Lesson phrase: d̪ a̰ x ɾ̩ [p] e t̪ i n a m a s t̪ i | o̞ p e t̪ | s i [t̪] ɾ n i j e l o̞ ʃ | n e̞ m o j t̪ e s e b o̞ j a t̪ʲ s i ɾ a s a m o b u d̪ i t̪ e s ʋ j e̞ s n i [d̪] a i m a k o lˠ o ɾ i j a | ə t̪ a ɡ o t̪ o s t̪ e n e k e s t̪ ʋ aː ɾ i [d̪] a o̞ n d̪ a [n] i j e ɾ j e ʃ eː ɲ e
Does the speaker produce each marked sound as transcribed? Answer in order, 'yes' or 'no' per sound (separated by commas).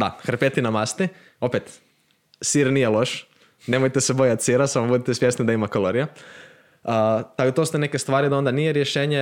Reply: yes, no, yes, yes, yes